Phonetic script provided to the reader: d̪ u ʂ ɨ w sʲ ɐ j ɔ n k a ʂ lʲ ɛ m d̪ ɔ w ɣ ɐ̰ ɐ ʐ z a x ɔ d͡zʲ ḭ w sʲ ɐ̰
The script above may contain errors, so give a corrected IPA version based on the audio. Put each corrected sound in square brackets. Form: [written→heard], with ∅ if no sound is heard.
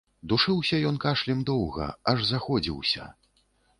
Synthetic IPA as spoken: d̪ u ʂ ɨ w sʲ ɐ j ɔ n k a ʂ lʲ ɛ m d̪ ɔ w ɣ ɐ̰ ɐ ʐ z a x ɔ d͡zʲ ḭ w sʲ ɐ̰